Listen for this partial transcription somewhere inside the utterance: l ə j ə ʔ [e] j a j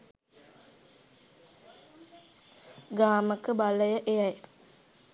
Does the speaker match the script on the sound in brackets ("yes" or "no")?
yes